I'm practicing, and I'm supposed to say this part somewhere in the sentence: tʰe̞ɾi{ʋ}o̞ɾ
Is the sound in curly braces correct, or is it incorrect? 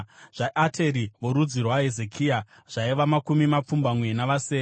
correct